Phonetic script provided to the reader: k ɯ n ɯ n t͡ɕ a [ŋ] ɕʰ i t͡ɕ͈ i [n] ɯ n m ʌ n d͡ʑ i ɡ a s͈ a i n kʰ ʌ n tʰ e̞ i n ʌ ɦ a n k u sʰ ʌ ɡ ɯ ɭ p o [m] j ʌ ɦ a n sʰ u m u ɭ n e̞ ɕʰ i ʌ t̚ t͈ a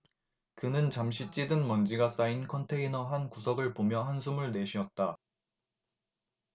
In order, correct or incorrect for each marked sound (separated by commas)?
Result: incorrect, incorrect, correct